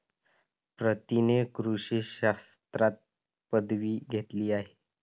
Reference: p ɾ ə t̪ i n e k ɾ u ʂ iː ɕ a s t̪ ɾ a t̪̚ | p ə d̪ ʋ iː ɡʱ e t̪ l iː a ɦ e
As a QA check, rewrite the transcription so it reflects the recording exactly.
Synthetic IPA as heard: p ɾ ə t̪ i n e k ɾ u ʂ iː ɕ a s t̪ ɾ a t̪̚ | p ə d̪ ʋ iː ɡʱ e t̪ l iː a ɦ e